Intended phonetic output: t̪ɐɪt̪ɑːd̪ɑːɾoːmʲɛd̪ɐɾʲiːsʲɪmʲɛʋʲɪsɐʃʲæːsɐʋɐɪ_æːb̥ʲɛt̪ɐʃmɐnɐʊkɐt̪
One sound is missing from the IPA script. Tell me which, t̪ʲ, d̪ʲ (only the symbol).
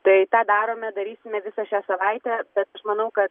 t̪ʲ